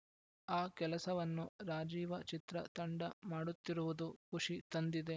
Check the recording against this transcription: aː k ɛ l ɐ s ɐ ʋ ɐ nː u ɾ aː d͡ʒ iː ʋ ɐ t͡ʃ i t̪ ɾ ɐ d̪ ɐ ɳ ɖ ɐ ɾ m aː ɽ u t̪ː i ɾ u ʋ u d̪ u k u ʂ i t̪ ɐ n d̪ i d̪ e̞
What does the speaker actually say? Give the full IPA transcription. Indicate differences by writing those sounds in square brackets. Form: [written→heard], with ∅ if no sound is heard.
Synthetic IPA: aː k ɛ l ɐ s ɐ ʋ ɐ nː u ɾ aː d͡ʒ iː ʋ ɐ t͡ʃ i t̪ ɾ ɐ [d̪→t̪] ɐ ɳ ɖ ɐ [ɾ→∅] m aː ɽ u t̪ː i ɾ u ʋ u d̪ u k u ʂ i t̪ ɐ n d̪ i d̪ e̞

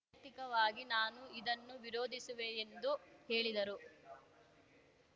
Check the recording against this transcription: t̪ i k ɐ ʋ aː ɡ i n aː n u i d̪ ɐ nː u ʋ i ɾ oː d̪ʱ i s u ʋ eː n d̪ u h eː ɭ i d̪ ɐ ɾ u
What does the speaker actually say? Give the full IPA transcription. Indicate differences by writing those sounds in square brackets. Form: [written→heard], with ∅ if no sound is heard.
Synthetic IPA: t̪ i k ɐ ʋ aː ɡ i n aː n u i d̪ ɐ nː u ʋ i ɾ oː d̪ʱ i s u ʋ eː n d̪ u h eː ɭ i d̪ ɐ ɾ u

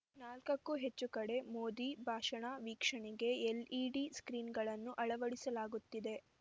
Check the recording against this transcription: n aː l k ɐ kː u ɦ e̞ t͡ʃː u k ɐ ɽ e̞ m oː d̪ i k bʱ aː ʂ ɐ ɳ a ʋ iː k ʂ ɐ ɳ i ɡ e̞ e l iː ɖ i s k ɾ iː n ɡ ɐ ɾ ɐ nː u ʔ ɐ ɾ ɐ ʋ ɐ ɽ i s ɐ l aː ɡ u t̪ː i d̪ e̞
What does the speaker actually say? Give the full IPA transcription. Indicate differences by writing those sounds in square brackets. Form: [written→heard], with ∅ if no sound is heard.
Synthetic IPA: n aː l k ɐ kː u ɦ e̞ t͡ʃː u k ɐ ɽ e̞ m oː d̪ i [k→∅] bʱ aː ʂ ɐ ɳ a ʋ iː k ʂ ɐ ɳ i ɡ e̞ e l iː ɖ i s k ɾ iː n ɡ ɐ [ɾ→ɭ] ɐ nː u ʔ ɐ [ɾ→ɭ] ɐ ʋ ɐ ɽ i s ɐ l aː ɡ u t̪ː i d̪ e̞

